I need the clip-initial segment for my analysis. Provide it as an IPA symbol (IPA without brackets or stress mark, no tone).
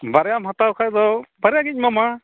b